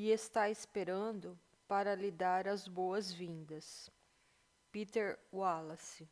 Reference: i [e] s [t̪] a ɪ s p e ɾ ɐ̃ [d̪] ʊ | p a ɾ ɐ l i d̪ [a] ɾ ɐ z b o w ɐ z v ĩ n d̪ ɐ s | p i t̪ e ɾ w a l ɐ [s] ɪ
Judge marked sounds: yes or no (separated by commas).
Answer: yes, yes, yes, yes, yes